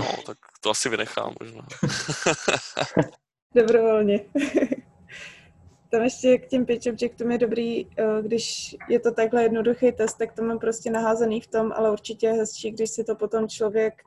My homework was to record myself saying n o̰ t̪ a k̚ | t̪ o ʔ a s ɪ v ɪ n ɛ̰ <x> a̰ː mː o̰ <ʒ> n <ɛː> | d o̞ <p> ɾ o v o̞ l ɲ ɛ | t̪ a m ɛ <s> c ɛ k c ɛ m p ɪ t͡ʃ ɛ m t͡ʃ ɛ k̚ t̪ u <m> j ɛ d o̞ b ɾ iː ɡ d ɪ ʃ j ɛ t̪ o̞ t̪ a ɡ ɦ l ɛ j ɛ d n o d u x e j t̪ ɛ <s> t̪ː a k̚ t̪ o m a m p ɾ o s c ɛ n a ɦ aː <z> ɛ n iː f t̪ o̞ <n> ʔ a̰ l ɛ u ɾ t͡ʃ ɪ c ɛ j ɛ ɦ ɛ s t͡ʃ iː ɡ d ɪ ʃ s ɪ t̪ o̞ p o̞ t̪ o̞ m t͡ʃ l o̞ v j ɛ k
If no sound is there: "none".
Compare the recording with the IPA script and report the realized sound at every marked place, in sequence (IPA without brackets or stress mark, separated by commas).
x, ʒ, aː, b, ʃ, m, s, z, m